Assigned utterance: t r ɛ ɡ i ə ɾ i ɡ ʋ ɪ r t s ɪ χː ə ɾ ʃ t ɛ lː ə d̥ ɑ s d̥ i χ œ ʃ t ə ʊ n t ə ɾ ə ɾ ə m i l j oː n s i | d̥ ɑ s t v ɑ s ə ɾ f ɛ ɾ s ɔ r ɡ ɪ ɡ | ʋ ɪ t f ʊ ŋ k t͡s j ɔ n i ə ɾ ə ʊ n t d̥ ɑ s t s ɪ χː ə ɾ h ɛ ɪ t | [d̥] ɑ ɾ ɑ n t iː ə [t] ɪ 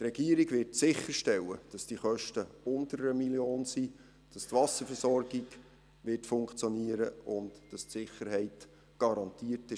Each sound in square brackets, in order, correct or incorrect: incorrect, correct

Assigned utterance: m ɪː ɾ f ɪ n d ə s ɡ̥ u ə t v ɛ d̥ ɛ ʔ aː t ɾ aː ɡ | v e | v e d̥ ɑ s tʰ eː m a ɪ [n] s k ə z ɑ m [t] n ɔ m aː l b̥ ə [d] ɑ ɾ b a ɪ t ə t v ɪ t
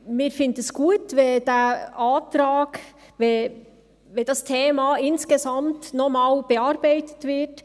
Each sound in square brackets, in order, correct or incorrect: correct, correct, incorrect

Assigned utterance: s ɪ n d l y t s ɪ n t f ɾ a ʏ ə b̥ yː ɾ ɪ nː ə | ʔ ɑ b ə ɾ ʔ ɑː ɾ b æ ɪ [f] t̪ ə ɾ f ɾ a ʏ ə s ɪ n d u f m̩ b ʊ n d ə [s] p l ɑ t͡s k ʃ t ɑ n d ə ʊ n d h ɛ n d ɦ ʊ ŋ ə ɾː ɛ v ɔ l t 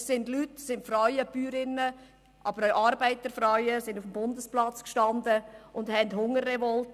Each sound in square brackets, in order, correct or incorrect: incorrect, correct

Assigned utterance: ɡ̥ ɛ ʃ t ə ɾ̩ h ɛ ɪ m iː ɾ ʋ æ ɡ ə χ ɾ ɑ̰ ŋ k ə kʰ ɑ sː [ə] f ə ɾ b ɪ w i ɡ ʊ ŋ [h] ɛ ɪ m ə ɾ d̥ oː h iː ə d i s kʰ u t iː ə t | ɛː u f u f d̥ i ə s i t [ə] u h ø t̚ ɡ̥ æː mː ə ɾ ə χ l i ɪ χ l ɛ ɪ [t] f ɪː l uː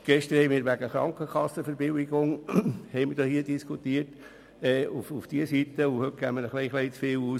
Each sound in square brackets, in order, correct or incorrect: correct, correct, correct, incorrect

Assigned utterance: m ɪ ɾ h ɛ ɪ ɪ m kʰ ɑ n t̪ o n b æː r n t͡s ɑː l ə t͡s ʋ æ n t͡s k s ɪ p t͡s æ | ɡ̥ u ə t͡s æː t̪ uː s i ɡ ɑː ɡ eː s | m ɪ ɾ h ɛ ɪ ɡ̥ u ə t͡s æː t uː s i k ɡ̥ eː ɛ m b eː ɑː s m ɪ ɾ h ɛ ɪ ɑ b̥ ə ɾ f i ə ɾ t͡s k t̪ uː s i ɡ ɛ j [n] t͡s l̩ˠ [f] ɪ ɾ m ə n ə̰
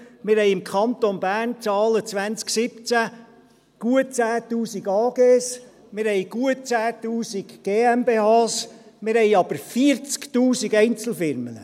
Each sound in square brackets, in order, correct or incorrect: correct, correct

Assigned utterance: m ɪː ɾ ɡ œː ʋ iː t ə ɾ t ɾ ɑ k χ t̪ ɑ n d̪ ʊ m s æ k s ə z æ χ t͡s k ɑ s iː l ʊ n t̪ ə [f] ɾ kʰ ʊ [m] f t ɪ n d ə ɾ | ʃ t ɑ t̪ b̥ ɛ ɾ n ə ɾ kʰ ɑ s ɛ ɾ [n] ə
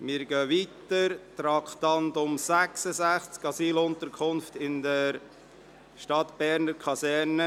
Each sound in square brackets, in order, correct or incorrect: incorrect, incorrect, correct

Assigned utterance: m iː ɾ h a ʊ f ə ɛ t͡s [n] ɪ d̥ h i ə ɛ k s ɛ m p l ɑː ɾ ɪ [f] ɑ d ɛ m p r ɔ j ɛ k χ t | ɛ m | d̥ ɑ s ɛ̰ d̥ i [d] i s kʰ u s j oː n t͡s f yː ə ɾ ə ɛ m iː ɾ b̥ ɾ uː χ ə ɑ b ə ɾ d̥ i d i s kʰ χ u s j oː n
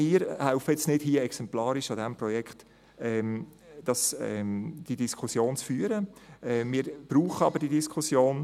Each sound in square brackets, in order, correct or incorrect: correct, incorrect, correct

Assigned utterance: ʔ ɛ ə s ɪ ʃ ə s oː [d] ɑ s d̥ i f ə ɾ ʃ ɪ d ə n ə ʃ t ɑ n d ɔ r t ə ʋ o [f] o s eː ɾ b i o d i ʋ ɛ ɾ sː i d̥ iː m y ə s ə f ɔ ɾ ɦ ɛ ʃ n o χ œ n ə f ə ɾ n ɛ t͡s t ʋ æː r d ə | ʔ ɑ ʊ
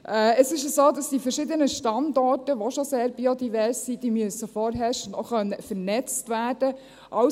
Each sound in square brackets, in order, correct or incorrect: correct, incorrect

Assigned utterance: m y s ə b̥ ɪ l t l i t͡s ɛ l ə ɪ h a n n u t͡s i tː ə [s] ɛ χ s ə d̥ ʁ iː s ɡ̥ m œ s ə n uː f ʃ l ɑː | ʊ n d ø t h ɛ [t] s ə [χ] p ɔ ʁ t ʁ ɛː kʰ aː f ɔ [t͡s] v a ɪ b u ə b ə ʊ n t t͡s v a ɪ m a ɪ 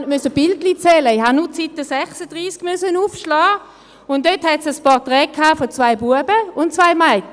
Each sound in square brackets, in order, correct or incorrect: correct, correct, incorrect, correct

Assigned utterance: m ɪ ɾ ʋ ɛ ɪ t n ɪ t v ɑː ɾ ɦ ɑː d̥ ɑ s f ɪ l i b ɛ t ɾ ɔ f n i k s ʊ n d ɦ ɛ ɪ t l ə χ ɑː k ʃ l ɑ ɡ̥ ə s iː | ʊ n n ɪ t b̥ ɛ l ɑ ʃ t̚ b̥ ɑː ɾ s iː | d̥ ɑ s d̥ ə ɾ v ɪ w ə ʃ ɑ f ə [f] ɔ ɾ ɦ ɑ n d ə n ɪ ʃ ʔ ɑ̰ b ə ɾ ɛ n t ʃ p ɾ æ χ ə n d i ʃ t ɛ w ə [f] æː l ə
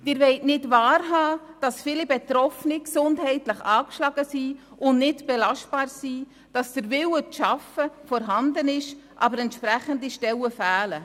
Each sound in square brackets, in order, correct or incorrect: correct, correct

